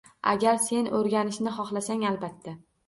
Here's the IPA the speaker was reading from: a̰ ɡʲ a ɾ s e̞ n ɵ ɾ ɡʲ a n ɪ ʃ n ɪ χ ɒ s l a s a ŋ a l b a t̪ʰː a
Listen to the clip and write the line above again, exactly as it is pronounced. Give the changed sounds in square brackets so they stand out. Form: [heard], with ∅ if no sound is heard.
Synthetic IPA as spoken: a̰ ɡʲ a ɾ s e̞ n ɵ ɾ ɡʲ a n ɪ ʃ n ɪ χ ɒ [χ] l a s a ŋ a l b a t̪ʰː a